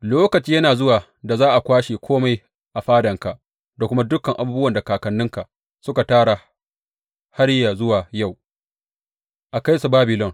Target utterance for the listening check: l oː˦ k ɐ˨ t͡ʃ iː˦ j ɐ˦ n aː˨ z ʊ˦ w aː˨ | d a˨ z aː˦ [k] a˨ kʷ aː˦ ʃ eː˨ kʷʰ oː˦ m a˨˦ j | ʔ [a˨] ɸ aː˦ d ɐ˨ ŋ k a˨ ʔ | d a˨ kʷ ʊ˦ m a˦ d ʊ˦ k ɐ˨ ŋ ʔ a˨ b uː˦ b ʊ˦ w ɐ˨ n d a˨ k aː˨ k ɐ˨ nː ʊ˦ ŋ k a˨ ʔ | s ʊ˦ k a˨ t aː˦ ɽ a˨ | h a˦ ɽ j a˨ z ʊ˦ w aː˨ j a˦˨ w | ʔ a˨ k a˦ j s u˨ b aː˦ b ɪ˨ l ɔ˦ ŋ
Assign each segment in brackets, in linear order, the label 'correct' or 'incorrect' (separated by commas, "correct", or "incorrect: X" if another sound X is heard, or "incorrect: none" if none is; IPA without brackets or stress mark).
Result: incorrect: ʔ, correct